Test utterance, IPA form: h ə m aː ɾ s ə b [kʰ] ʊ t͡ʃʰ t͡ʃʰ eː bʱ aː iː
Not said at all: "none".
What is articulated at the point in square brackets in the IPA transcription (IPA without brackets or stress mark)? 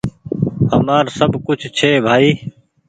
k